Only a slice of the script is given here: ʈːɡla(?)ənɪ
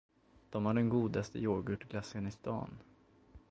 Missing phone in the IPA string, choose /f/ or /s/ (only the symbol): s